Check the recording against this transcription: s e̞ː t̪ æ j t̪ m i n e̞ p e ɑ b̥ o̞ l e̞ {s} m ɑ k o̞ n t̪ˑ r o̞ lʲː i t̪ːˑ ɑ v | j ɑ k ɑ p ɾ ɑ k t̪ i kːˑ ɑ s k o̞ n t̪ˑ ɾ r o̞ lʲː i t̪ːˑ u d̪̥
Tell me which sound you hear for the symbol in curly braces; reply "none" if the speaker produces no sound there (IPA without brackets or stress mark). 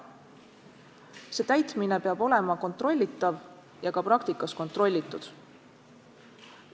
none